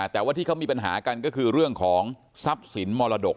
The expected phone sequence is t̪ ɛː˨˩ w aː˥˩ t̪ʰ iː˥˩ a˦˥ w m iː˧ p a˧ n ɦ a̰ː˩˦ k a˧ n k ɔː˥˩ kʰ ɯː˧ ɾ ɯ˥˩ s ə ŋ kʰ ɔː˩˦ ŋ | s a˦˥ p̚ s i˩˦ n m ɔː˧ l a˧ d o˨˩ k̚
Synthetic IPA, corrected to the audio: t̪ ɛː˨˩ w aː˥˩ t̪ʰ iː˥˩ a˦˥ w m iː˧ p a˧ n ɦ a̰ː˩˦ k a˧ n k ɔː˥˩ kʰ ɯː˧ ɾ ɯ˥˩ ə ŋ kʰ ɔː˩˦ ŋ | s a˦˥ p̚ s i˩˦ n m ɔː˧ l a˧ d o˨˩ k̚